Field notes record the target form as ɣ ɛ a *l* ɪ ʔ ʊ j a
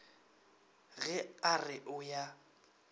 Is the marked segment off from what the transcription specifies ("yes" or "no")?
yes